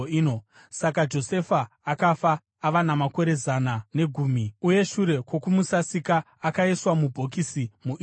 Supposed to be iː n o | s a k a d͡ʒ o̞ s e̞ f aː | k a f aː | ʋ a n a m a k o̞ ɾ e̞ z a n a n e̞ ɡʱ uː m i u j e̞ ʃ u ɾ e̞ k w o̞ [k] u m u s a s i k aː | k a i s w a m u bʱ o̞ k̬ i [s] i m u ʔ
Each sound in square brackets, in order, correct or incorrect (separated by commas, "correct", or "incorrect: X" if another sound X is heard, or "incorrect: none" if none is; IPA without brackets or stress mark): correct, correct